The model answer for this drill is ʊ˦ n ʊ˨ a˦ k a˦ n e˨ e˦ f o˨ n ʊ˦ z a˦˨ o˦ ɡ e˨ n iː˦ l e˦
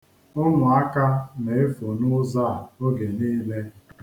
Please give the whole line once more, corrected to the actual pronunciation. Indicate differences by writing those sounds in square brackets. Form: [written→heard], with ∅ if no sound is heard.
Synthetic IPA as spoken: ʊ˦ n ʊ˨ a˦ k a˦ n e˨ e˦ f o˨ n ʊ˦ z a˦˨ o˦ ɡ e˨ n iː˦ l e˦